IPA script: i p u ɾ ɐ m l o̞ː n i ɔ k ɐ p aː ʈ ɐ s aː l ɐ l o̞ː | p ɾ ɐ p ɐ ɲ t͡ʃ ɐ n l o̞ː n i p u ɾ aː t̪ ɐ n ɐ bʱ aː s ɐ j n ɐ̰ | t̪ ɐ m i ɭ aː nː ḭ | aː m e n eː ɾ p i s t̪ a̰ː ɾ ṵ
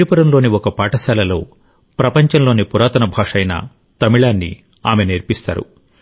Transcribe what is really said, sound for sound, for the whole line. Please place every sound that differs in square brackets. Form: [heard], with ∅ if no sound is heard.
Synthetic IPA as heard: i p u ɾ ɐ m l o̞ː n i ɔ k ɐ p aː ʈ ɐ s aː l ɐ l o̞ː | p ɾ ɐ p ɐ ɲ t͡ʃ ɐ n l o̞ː n i p u ɾ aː t̪ ɐ n ɐ bʱ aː [ʂ] ɐ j n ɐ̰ | t̪ ɐ m i ɭ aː nː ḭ | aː m e n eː ɾ p i s t̪ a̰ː ɾ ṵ